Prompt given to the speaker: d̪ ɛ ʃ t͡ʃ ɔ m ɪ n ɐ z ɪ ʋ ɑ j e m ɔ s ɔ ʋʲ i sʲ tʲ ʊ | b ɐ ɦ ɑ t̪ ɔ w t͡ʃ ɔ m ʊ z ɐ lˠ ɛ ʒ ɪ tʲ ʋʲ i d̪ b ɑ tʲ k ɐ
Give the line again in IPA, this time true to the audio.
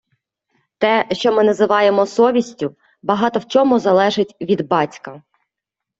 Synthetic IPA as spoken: t̪ ɛ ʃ t͡ʃ ɔ m ɪ n ɐ z ɪ ʋ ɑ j e m ɔ s ɔ ʋʲ i sʲ tʲ ʊ | b ɐ ɦ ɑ t̪ ɔ w t͡ʃ ɔ m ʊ z ɐ lˠ ɛ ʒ ɪ tʲ ʋʲ i d̪ b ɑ tʲ k ɐ